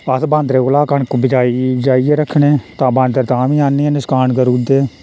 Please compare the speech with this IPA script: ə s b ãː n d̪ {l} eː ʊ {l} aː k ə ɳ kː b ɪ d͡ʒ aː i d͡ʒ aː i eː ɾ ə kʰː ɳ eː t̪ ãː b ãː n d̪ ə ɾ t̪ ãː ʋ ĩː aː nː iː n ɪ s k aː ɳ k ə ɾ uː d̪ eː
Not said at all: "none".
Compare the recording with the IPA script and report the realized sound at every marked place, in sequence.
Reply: ɾ, l

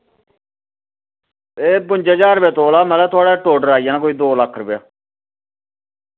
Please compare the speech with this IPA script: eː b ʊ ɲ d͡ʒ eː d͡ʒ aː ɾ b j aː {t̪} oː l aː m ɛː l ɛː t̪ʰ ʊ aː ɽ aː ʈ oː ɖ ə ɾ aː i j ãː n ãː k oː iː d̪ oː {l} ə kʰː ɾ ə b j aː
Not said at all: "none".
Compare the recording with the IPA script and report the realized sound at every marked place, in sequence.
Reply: t̪, l

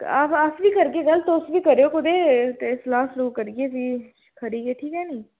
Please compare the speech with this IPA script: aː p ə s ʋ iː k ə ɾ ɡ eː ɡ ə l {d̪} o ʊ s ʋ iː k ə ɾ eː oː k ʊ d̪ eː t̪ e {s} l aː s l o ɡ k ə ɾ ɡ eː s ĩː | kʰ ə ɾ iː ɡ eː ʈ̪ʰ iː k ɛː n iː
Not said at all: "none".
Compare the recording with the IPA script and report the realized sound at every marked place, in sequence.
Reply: t̪, s

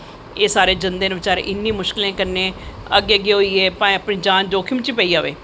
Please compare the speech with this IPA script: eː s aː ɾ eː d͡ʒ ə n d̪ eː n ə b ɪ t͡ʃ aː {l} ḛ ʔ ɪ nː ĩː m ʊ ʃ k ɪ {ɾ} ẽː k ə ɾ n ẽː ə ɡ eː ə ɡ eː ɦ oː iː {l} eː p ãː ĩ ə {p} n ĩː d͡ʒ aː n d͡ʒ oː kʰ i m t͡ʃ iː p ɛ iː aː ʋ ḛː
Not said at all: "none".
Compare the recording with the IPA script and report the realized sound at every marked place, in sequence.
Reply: ɾ, l, none, p

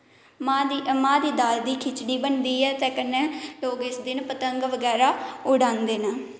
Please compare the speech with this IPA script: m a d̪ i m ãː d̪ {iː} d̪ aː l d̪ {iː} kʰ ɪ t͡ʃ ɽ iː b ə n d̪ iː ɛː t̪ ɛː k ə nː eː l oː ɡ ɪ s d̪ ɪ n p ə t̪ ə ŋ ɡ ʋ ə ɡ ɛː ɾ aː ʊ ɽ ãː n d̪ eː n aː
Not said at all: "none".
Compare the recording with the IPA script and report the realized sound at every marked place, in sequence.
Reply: iː, iː

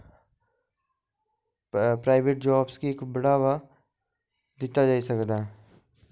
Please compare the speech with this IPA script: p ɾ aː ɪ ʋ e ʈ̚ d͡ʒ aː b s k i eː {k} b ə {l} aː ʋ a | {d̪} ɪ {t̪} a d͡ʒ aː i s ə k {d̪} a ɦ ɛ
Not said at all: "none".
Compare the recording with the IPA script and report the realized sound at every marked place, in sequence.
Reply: k, ɽ, d̪, t̪, d̪

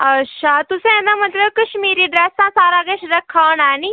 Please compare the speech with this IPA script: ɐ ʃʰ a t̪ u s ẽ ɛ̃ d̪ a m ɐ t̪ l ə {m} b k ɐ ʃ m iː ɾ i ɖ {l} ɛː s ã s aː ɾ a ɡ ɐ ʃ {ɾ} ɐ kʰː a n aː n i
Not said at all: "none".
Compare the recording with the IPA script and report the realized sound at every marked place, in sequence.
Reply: none, ɾ, ɾ

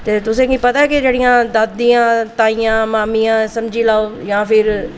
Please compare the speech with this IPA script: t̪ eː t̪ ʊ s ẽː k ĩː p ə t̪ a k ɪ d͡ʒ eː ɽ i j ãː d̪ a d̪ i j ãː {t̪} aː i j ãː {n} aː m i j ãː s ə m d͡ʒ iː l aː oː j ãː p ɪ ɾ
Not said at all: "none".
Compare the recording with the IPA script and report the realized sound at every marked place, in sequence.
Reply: t̪, m

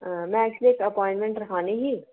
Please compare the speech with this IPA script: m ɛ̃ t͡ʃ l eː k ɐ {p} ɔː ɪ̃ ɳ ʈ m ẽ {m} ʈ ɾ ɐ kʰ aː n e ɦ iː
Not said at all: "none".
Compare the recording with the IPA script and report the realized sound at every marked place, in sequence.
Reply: p, ɳ

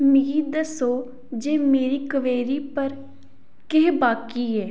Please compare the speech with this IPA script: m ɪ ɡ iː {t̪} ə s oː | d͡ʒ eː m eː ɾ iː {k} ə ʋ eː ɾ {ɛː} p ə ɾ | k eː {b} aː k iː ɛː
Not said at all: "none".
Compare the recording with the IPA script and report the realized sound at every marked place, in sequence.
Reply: d̪, k, iː, b

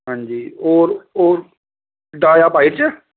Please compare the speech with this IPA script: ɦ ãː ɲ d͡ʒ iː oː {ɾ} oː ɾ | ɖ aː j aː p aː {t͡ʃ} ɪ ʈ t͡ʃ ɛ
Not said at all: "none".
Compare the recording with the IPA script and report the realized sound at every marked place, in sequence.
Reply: ɾ, none

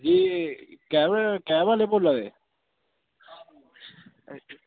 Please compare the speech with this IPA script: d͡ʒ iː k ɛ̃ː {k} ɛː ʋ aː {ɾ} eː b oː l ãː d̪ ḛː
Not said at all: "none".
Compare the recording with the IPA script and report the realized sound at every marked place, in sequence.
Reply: k, l

